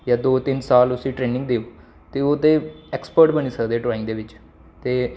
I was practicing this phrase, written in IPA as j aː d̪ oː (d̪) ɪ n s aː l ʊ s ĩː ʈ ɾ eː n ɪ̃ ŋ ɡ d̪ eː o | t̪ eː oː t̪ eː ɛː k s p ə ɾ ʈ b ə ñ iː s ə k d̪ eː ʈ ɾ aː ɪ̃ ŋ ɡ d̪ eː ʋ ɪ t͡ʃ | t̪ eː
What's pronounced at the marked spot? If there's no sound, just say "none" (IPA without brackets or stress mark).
t̪